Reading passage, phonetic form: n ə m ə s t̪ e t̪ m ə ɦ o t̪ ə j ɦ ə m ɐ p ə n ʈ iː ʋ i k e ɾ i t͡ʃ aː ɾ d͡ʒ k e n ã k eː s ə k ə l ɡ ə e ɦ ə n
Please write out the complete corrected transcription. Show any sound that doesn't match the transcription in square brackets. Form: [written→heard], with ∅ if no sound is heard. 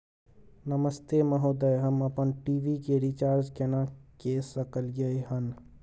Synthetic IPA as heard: n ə m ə s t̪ e [t̪→∅] m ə ɦ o [t̪→d̪] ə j ɦ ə m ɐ p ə n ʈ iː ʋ i k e ɾ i t͡ʃ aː ɾ d͡ʒ k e n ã k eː s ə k ə l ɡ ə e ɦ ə n